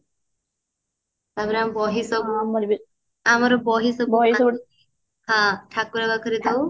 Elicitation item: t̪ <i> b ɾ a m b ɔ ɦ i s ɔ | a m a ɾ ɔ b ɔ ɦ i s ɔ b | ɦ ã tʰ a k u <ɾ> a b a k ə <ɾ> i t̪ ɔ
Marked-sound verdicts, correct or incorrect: incorrect: a, correct, correct

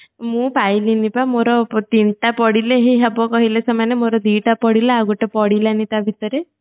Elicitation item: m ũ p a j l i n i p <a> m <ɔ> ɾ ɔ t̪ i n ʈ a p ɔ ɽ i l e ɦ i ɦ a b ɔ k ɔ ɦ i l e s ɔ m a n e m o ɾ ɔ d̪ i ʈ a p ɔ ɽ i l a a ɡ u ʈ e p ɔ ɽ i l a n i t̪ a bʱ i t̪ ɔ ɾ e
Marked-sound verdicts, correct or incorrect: correct, incorrect: o

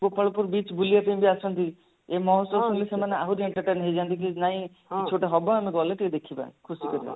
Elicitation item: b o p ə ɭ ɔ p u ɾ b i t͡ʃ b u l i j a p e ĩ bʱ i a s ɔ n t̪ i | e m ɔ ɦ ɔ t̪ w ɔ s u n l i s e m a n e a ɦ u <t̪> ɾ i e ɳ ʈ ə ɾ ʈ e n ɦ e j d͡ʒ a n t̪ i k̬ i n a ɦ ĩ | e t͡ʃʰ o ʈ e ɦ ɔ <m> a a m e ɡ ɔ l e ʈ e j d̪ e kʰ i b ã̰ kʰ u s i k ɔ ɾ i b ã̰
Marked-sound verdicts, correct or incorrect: incorrect: none, incorrect: b

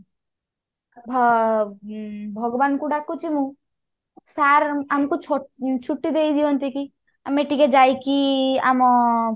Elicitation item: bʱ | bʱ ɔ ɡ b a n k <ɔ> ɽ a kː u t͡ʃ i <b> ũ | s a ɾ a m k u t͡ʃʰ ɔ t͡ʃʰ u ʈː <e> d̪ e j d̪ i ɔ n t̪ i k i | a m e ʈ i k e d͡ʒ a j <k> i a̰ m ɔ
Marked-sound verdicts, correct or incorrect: incorrect: u, incorrect: m, incorrect: i, correct

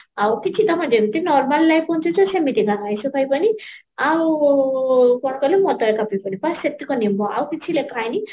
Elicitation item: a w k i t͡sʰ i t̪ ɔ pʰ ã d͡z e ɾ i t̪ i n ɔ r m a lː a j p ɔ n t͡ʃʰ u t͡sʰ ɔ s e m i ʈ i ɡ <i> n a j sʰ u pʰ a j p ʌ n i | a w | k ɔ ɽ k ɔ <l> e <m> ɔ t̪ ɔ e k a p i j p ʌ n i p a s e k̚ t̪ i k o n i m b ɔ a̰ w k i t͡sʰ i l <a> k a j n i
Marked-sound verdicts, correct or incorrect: incorrect: a, correct, correct, incorrect: e

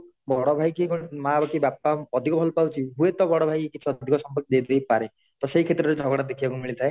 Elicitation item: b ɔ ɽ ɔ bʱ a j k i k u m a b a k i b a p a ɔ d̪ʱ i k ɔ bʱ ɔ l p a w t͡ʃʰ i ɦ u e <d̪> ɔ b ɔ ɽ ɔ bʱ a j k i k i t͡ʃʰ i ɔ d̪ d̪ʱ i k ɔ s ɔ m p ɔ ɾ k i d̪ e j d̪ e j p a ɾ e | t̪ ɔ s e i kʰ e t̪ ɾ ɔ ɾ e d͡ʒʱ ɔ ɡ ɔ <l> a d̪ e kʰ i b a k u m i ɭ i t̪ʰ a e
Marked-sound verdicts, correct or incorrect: incorrect: t̪, incorrect: ɽ

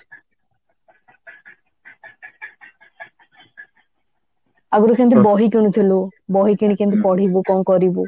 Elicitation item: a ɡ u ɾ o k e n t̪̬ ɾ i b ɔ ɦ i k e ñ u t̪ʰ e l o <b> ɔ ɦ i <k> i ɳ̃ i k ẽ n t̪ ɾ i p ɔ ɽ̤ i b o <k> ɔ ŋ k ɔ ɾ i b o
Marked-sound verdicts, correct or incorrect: correct, correct, correct

